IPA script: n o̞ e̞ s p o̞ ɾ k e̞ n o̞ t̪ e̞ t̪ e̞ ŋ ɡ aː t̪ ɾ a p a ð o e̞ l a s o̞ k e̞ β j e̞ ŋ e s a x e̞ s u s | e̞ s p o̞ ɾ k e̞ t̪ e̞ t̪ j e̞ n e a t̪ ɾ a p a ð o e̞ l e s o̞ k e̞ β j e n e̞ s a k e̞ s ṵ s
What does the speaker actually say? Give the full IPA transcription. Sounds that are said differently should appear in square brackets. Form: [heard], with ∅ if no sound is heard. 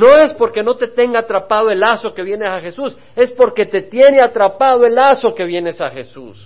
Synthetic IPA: n o̞ e̞ s p o̞ ɾ k e̞ n o̞ t̪ e̞ t̪ e̞ ŋ ɡ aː t̪ ɾ a p a ð o e̞ l a s o̞ k e̞ β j e̞ [n] e s a x e̞ s u s | e̞ s p o̞ ɾ k e̞ t̪ e̞ t̪ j e̞ n e a t̪ ɾ a p a ð o e̞ l [a] s o̞ k e̞ β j e n e̞ s a [x] e̞ s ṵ s